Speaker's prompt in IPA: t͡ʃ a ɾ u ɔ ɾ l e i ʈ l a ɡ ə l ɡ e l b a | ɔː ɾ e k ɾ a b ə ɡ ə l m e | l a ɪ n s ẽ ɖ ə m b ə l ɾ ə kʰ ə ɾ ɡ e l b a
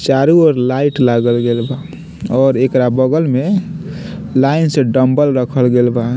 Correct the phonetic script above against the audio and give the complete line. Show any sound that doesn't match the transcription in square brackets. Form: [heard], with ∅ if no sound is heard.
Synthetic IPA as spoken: t͡ʃ a ɾ u ɔ ɾ l [a] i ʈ l a ɡ ə l ɡ e l b a | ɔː ɾ e k ɾ a b ə ɡ ə l m e | l a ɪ n s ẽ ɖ ə m b ə l ɾ ə kʰ ə [l] ɡ e l b a